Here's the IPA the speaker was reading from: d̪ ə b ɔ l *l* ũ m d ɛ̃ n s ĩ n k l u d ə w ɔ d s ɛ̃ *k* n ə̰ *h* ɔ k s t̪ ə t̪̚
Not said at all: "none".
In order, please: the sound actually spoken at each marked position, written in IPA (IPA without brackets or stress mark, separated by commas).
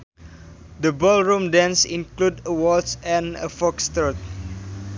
ɹ, none, f